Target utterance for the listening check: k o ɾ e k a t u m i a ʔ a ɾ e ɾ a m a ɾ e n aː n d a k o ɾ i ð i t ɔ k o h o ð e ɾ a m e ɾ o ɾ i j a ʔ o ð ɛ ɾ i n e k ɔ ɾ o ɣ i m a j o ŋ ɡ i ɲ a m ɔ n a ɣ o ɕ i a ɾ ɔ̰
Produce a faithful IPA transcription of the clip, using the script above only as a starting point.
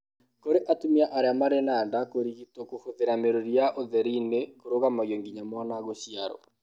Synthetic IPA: k o ɾ e ʔ a t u m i a ʔ a ɾ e a m a ɾ e n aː n d a k o ɾ i ɣ i t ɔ k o h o ð e ɾ a m e ɾ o ɾ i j a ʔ o ð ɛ ɾ i n e k o ɾ o ɣ a m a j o ŋ ɡ i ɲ a m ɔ n a ɣ o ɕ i a ɾ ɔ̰